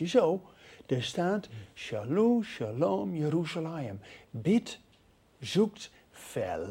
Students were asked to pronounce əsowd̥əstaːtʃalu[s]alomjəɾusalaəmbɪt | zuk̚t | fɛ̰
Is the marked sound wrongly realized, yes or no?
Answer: yes